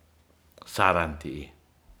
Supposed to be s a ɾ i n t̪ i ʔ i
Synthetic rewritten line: s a ɾ a n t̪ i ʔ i